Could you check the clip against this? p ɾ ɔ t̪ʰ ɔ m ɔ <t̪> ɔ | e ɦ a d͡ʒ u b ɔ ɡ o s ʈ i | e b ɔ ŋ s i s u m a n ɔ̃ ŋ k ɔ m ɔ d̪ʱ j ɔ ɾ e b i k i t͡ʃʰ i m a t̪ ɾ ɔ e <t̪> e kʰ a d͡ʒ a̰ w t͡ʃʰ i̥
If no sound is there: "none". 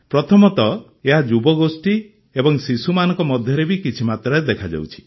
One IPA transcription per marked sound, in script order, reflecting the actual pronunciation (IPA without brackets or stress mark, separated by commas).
t̪, d̪